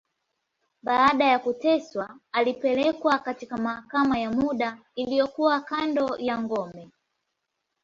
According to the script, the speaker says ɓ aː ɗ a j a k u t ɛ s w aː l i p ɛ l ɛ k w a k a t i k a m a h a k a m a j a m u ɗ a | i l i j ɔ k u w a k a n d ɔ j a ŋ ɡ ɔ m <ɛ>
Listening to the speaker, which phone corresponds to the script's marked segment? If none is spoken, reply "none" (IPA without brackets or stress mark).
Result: ɛ